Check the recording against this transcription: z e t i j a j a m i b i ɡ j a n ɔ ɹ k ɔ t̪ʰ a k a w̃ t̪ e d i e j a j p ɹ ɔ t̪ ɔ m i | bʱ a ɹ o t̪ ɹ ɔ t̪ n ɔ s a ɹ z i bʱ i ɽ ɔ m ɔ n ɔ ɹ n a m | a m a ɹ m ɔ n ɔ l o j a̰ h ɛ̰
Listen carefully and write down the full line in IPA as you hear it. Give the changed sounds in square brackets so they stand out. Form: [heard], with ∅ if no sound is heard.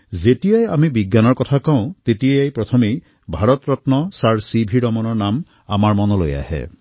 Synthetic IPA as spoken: z e t i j a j a m i b i ɡ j a n ɔ ɹ k ɔ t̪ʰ a k a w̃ t̪ e [t] i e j a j p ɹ ɔ [t̪ʰ] ɔ m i | bʱ a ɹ [ɔ] t̪ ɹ ɔ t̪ n ɔ s a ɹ [s] i bʱ i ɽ ɔ m ɔ n ɔ ɹ n a m | a m a ɹ m ɔ n ɔ l o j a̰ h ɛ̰